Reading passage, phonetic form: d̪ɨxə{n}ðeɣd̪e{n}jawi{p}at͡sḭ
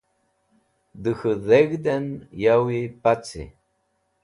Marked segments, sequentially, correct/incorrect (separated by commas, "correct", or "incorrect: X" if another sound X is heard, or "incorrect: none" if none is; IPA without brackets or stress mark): incorrect: none, correct, correct